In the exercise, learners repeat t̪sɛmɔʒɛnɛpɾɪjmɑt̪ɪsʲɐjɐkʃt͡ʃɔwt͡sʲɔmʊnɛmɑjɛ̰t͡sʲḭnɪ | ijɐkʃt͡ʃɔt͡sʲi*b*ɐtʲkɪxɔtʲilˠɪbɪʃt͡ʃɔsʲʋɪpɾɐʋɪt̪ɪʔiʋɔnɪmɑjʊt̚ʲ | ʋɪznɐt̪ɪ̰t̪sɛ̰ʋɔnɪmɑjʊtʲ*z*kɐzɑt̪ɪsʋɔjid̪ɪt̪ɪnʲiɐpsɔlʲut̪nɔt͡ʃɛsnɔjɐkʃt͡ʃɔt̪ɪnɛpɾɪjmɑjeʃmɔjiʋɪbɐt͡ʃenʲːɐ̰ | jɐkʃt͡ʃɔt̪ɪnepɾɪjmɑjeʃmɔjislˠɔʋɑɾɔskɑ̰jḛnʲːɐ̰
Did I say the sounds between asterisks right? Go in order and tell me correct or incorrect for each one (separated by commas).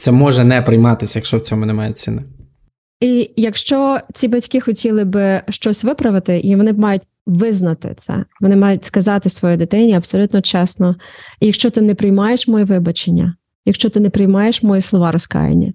correct, incorrect